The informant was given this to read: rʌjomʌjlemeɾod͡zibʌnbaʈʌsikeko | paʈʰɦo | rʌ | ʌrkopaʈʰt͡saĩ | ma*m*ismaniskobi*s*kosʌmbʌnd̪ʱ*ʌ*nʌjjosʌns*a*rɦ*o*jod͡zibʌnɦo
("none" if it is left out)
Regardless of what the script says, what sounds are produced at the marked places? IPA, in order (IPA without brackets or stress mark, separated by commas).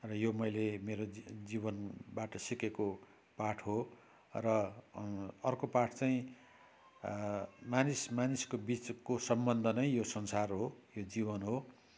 n, t͡s, ʌ, a, o